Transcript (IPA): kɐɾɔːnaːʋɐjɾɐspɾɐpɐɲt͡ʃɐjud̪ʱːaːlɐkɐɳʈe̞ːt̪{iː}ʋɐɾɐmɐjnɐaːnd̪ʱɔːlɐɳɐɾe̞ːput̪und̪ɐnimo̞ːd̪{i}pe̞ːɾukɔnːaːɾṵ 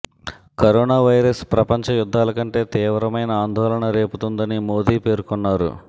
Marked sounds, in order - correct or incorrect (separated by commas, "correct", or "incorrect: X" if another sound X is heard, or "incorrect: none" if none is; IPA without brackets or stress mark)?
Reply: correct, incorrect: iː